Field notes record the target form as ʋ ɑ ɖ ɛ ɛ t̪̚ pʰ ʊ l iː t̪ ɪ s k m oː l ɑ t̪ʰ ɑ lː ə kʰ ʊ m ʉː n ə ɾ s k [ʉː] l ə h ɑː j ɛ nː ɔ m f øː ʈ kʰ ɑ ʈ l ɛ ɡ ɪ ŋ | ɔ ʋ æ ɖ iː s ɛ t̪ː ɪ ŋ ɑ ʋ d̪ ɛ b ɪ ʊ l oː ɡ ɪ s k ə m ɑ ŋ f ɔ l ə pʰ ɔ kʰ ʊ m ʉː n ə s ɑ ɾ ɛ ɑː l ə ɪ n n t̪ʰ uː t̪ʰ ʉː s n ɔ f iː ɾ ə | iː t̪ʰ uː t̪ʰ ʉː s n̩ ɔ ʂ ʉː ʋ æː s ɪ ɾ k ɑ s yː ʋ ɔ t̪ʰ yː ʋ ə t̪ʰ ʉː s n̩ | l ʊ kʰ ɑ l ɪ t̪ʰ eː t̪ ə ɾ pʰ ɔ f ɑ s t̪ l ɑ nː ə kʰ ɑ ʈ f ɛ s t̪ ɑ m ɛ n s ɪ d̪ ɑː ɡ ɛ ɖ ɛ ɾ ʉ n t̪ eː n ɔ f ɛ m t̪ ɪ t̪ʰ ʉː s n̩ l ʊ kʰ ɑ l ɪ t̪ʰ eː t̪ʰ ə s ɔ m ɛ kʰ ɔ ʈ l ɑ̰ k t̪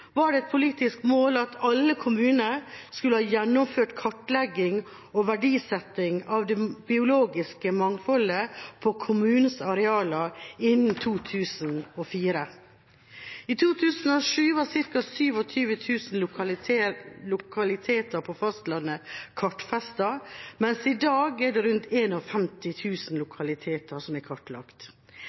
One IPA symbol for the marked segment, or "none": ʉ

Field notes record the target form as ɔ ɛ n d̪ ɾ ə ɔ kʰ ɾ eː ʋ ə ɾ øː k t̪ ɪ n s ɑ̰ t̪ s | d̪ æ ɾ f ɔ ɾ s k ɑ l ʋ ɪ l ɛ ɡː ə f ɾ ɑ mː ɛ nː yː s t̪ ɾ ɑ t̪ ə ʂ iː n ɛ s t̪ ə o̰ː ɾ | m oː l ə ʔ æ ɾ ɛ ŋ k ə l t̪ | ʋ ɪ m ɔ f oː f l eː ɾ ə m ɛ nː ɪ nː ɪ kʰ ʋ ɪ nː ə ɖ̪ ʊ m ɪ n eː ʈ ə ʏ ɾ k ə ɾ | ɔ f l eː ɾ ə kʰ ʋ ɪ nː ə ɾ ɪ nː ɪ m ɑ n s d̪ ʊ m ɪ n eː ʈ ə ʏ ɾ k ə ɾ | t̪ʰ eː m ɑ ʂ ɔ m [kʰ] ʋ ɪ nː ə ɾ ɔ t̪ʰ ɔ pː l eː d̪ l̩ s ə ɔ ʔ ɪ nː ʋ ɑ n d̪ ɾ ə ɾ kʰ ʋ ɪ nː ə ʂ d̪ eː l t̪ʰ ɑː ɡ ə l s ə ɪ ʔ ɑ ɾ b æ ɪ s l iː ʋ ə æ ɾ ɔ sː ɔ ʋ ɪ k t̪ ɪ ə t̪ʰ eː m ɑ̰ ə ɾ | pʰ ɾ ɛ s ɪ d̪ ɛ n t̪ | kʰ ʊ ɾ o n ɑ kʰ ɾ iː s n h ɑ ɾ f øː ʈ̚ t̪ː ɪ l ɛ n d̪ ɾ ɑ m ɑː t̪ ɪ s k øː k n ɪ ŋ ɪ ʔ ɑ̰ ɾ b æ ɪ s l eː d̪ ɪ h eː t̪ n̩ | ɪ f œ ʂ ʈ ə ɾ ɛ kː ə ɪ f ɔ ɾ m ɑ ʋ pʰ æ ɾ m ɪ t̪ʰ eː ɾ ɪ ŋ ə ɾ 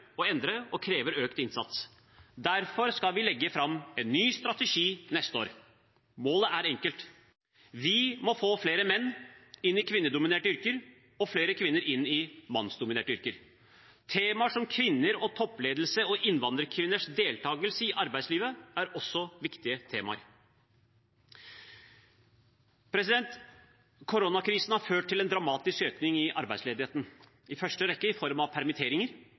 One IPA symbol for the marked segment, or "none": kʰ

